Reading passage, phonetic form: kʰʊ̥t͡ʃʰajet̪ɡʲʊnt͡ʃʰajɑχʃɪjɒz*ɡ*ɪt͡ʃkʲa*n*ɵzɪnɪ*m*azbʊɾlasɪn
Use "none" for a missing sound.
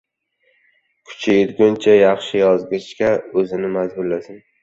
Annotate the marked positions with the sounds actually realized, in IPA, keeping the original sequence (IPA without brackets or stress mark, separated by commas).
ɡ, none, m